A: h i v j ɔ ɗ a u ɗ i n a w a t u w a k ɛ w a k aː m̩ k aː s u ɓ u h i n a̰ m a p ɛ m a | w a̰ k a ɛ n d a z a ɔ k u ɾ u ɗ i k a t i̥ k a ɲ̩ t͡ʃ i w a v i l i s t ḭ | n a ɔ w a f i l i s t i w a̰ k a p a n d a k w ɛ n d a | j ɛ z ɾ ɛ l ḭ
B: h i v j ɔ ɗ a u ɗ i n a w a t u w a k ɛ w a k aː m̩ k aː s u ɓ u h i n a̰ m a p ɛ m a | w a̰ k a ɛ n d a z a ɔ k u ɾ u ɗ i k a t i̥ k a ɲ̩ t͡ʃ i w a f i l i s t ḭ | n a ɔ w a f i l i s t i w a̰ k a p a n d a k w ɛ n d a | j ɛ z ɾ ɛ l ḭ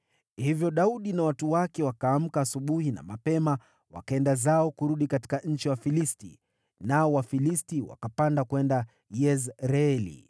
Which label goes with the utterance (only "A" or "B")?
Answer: B